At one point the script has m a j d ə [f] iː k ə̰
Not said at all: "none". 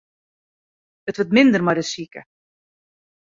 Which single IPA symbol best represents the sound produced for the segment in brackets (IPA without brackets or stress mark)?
s